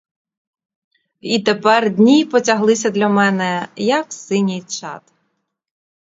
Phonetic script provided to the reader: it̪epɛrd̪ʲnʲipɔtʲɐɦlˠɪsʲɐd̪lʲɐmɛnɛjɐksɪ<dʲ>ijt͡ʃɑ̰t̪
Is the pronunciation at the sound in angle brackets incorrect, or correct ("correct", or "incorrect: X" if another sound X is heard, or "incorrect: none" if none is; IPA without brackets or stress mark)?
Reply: incorrect: nʲ